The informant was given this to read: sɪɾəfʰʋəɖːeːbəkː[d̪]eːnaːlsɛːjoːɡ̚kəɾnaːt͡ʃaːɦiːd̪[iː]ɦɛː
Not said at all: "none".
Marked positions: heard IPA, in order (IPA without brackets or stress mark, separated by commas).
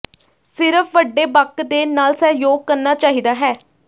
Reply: d̪, aː